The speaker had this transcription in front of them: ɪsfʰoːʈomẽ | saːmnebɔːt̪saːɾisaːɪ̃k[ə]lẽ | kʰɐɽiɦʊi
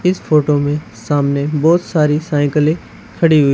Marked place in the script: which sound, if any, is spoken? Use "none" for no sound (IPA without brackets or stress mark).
ə